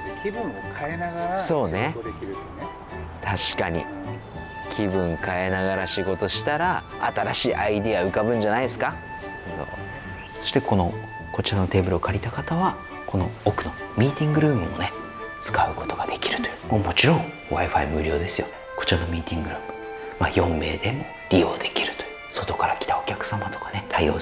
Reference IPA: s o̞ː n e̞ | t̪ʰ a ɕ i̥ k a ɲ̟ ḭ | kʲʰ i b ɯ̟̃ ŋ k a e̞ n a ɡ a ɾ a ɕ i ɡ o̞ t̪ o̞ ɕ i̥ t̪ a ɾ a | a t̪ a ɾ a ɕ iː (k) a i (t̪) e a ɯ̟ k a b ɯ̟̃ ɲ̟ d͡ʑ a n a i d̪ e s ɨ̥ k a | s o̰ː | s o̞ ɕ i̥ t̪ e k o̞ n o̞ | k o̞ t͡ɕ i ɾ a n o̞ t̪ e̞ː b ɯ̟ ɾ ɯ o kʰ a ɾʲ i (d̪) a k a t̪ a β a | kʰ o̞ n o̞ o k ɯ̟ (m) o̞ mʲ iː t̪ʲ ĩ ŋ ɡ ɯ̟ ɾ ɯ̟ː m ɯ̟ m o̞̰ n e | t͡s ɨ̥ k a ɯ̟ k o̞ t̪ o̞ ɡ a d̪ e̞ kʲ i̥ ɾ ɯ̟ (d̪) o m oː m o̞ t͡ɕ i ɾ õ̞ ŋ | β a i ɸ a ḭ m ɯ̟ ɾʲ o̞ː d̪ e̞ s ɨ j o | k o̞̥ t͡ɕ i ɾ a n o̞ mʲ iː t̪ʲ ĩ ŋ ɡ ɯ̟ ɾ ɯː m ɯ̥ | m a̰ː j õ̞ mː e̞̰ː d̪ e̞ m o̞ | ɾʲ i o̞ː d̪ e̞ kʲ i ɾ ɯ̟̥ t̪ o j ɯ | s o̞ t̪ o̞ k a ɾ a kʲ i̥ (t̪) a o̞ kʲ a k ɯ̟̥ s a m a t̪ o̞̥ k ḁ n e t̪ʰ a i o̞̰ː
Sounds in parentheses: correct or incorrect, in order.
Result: incorrect: ʔ, incorrect: d̪, incorrect: t̪, incorrect: n, incorrect: t̪, correct

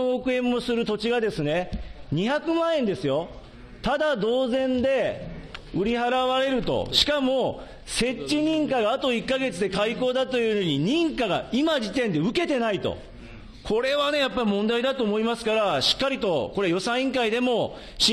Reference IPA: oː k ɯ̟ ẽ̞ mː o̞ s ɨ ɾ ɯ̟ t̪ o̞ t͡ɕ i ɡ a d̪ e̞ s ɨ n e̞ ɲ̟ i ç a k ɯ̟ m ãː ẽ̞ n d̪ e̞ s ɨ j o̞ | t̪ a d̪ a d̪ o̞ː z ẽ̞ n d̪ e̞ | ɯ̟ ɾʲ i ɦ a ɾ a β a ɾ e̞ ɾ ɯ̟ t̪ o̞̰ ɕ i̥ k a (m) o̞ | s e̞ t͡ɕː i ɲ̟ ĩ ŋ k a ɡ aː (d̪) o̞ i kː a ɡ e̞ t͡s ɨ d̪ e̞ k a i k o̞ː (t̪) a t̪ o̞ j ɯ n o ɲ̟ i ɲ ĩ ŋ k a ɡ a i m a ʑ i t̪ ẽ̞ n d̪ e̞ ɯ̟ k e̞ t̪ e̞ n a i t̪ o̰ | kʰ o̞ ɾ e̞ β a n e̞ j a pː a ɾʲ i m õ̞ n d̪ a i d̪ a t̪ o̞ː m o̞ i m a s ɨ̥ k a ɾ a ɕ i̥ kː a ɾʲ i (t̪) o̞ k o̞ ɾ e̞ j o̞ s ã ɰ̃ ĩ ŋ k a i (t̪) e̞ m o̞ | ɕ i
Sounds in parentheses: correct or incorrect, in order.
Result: correct, incorrect: t̪, incorrect: d̪, correct, incorrect: d̪

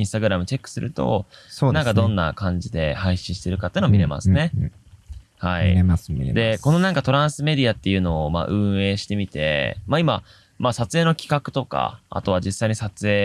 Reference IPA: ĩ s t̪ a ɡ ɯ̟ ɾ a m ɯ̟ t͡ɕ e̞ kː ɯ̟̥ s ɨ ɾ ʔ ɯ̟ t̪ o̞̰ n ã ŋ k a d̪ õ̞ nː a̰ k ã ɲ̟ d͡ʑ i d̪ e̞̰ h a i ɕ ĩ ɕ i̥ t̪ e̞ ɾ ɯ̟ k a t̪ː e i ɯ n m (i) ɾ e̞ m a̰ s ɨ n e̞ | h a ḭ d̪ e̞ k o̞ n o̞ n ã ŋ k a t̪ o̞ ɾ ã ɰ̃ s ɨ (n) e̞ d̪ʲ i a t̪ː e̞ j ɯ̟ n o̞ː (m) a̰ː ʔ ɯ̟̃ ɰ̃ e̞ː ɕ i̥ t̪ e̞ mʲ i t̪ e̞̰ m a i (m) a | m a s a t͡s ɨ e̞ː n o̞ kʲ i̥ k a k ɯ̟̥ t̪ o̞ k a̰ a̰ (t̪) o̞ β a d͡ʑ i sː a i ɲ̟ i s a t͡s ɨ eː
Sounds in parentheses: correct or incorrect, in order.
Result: correct, incorrect: m, correct, correct, correct

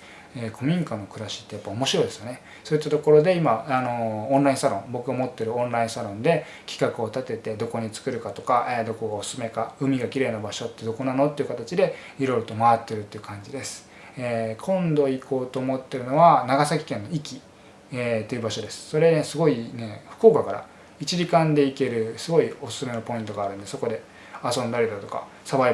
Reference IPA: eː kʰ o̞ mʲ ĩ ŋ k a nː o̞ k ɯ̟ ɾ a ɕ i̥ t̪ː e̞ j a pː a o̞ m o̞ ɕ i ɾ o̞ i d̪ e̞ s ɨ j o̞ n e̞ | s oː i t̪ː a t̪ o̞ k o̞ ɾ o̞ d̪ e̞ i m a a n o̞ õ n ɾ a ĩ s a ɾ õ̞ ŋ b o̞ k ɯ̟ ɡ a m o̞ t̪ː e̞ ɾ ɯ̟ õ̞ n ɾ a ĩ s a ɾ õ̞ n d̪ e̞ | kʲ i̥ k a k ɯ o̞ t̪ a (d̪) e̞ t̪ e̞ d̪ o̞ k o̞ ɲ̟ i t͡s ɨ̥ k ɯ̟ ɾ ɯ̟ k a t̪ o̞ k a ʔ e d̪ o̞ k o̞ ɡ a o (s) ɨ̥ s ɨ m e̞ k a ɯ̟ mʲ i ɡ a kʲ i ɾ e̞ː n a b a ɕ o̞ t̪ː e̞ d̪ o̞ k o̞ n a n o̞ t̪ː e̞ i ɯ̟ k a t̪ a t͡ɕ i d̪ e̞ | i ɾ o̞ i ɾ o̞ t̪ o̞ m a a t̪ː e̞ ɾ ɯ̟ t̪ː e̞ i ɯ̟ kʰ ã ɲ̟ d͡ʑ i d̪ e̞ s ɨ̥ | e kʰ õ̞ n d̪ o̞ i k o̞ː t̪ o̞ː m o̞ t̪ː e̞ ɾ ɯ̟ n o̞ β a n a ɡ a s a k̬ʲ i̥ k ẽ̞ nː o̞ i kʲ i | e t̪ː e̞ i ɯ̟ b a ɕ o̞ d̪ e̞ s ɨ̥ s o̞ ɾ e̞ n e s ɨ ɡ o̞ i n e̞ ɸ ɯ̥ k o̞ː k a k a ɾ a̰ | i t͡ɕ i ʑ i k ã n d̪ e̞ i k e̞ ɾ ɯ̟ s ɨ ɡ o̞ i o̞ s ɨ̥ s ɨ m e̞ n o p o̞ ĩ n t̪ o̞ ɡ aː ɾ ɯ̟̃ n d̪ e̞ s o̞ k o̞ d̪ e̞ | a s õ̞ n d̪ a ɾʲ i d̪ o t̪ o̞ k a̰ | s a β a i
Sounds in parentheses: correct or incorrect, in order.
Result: incorrect: t̪, correct

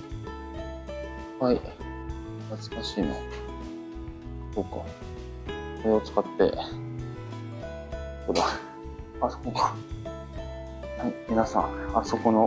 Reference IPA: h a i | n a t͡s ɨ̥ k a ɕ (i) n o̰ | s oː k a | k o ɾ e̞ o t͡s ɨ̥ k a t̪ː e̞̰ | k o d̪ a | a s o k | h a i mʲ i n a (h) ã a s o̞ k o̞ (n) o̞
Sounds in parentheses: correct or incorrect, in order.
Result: incorrect: iː, incorrect: s, correct

